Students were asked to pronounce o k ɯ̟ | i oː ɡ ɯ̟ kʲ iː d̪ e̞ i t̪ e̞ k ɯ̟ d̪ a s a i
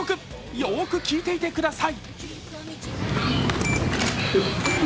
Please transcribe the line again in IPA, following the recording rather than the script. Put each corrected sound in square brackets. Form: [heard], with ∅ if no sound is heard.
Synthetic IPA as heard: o k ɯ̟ | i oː [k] ɯ̟ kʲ iː [t̪] e̞ i t̪ e̞ k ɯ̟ d̪ a s a i